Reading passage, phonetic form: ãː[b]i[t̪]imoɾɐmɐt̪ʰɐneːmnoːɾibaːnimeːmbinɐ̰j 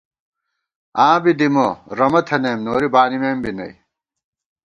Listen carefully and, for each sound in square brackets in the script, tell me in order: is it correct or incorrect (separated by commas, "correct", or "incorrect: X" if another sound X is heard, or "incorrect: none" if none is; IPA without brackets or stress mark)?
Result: correct, incorrect: d̪